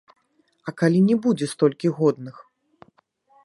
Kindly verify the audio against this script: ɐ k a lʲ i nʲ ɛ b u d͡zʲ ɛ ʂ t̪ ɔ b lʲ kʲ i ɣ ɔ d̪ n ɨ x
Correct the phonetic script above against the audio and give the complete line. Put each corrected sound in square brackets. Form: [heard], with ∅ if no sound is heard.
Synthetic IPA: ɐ k a lʲ i nʲ ɛ b u d͡zʲ ɛ [s] t̪ ɔ [∅] lʲ kʲ i ɣ ɔ d̪ n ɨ x